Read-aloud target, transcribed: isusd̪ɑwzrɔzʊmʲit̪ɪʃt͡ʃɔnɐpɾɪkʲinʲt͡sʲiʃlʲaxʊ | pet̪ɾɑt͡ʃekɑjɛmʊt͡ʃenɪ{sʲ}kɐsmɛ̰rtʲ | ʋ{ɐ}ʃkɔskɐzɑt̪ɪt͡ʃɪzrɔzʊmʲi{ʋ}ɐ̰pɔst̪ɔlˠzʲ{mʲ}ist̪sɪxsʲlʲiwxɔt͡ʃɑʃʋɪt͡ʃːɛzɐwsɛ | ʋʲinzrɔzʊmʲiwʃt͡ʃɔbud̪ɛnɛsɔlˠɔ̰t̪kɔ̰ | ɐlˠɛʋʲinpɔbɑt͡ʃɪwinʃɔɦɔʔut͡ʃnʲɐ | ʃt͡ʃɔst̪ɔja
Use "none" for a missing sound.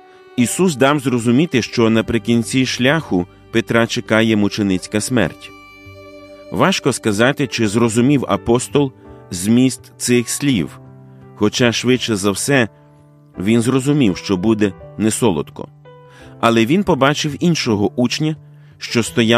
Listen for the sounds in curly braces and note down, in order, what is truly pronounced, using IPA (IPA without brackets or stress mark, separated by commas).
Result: t͡sʲ, ɑ, w, mʲ